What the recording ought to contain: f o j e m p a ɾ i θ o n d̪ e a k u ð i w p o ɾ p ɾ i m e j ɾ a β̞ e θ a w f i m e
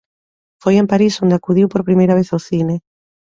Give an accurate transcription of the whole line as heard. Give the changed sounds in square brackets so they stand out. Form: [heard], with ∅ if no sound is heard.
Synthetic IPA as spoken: f o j e m p a ɾ i [s] o n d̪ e a k u ð i w p o ɾ p ɾ i m e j ɾ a β̞ e θ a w [θ] i [n] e